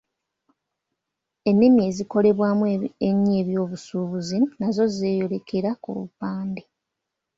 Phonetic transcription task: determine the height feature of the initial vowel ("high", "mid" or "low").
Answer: mid